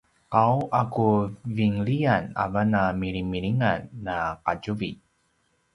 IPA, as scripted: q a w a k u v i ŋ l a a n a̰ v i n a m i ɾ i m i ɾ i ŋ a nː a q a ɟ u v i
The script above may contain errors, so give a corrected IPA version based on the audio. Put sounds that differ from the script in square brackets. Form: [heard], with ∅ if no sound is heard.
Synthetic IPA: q a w a k u v i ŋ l [i] a n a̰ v [a] n a m i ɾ i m i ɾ i ŋ a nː a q a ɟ u v i